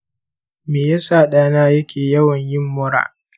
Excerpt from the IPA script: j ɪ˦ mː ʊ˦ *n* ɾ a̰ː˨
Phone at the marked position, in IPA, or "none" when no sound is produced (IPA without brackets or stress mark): none